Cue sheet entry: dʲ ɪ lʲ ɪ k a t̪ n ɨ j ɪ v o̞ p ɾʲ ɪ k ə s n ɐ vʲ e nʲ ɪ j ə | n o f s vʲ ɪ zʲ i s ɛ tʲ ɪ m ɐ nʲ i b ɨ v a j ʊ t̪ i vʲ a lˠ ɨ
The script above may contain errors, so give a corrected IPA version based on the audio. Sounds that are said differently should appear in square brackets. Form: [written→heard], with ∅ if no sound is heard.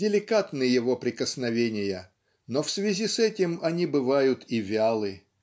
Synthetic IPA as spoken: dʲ ɪ lʲ ɪ k a t̪ n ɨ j ɪ v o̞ p ɾʲ ɪ k ə s n ɐ vʲ e nʲ ɪ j ə | n o f s vʲ ɪ zʲ i s ɛ tʲ ɪ m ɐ nʲ i b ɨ v a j ʊ t̪ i vʲ a lˠ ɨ